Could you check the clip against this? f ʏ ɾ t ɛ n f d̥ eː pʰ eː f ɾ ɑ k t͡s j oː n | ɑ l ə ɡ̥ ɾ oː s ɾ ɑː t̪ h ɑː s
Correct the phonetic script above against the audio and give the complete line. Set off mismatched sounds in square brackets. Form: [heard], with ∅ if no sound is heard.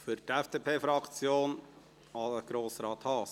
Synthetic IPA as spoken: f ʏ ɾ t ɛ [∅] f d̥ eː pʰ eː f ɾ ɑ k t͡s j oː n | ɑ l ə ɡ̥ ɾ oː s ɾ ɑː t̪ h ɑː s